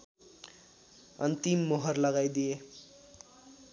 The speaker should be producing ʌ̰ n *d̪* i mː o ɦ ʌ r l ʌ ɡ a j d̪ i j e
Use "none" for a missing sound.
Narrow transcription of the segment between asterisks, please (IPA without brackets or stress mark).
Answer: t̪